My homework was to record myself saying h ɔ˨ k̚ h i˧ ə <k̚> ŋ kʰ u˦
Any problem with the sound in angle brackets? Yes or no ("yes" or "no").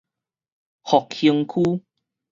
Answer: yes